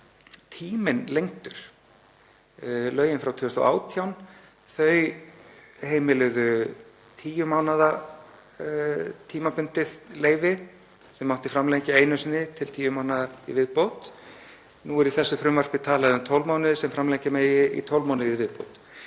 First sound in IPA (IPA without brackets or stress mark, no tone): t̪ʰ